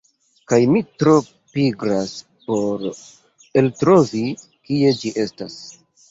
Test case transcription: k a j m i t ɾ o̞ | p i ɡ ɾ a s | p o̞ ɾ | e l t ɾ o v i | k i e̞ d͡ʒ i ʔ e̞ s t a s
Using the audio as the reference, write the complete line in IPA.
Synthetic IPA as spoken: k a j m i t ɾ o̞ | p i ɡ ɾ a s | p o̞ ɾ | e l t ɾ o v i | k i e̞ d͡ʒ i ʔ e̞ s t a s